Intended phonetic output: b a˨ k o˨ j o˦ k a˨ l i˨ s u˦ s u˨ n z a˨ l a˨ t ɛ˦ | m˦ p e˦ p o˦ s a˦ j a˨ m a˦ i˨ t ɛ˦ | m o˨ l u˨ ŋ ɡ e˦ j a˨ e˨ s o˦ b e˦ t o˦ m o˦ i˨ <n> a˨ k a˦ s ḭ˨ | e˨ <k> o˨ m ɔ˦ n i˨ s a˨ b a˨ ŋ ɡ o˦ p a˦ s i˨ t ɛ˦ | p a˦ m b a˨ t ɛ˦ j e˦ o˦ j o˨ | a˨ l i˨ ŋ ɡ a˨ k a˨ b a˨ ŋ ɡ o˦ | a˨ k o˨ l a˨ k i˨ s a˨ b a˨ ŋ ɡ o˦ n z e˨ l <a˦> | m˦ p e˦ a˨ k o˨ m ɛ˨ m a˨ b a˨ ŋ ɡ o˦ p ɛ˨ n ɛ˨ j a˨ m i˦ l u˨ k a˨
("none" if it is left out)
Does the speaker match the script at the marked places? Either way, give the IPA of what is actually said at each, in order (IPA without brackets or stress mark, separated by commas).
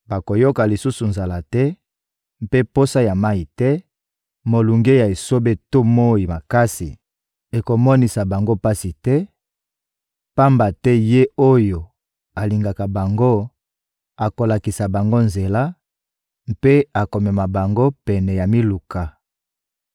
m, k, a˦